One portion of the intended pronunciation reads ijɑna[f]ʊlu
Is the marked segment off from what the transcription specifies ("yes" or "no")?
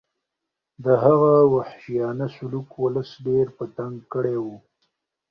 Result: yes